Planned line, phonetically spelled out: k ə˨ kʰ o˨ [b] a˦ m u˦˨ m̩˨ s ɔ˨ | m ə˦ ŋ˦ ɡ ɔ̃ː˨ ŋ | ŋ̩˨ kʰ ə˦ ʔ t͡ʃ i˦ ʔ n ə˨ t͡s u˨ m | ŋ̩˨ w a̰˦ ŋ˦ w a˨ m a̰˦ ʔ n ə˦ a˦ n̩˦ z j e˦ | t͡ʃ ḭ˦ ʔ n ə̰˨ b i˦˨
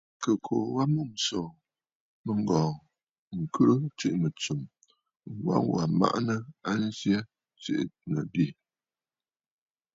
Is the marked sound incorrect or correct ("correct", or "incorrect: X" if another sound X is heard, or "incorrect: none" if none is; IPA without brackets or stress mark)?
incorrect: w